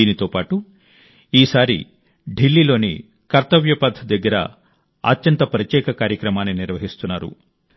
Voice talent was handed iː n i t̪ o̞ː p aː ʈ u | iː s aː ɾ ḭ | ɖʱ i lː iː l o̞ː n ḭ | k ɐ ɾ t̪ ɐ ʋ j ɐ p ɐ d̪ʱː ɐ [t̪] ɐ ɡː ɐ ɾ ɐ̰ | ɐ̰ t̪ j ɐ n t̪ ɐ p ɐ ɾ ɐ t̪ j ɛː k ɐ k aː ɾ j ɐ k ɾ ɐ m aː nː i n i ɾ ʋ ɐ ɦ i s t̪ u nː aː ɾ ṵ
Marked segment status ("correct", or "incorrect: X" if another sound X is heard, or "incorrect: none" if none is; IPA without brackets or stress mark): incorrect: d̪